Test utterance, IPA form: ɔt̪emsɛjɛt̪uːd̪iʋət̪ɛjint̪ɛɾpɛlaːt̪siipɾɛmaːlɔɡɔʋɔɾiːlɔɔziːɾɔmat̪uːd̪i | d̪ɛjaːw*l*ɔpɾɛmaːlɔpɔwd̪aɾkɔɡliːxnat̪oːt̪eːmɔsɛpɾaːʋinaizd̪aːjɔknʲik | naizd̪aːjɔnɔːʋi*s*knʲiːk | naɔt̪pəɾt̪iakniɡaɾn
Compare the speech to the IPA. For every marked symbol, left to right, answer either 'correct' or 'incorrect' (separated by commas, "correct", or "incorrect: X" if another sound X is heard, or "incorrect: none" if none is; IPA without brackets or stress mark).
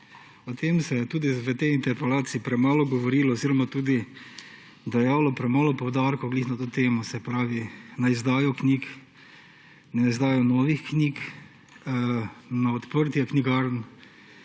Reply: correct, incorrect: x